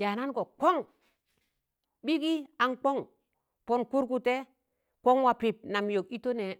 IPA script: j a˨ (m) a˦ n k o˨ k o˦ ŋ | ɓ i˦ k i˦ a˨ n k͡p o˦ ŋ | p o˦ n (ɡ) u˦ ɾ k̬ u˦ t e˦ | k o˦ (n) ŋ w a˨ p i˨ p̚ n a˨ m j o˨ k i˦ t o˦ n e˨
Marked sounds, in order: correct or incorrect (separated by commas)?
incorrect, incorrect, incorrect